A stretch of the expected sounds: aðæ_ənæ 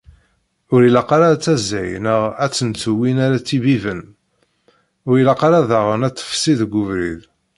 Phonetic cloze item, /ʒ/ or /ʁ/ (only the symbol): ʁ